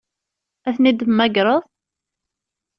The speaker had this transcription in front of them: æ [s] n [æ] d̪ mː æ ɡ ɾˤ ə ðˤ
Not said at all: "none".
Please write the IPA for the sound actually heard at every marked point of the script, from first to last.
θ, i

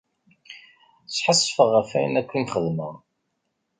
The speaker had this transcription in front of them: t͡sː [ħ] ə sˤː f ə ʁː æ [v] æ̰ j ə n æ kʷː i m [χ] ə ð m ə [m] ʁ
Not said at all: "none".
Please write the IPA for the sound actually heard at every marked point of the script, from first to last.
ħ, f, χ, none

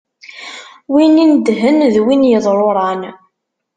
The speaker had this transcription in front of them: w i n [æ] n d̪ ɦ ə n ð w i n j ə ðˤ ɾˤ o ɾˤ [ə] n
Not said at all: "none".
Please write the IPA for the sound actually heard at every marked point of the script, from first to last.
i, ɑ

